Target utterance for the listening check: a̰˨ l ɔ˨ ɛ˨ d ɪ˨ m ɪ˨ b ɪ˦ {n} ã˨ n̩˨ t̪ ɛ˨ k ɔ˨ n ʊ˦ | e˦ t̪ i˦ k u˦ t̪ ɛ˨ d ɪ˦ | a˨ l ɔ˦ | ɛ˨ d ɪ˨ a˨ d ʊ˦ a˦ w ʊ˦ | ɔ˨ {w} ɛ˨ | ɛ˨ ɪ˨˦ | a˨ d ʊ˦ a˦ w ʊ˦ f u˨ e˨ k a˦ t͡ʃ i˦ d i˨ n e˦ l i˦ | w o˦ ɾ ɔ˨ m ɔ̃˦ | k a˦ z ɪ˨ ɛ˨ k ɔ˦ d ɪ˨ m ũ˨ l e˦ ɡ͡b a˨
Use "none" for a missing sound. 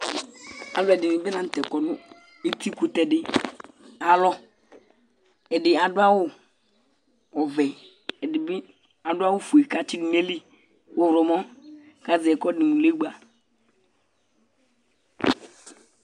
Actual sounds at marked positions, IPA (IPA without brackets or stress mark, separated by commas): n, v